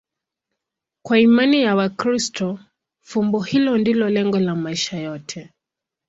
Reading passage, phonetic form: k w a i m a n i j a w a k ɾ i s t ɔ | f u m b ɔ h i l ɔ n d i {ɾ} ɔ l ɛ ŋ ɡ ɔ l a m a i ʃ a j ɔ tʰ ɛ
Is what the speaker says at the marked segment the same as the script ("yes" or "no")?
no